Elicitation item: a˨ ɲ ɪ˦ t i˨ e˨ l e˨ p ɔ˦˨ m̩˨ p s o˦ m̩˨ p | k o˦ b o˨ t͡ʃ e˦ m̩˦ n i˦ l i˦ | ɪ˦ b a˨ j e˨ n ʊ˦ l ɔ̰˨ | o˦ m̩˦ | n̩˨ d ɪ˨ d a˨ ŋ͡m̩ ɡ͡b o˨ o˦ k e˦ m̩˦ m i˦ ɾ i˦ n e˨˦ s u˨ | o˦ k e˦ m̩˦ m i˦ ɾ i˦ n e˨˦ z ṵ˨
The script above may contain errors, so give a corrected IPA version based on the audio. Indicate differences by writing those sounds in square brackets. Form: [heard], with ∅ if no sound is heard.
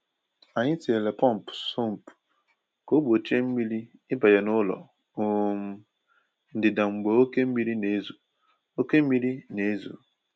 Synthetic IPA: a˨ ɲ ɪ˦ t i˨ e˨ l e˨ p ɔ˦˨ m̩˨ p s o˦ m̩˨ p | k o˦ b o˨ t͡ʃ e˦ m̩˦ [m] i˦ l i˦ | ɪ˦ b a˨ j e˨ n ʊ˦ l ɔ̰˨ | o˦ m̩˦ | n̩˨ d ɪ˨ d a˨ ŋ͡m̩ ɡ͡b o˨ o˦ k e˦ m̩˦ m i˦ ɾ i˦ n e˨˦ [z] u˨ | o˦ k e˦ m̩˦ m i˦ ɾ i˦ n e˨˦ z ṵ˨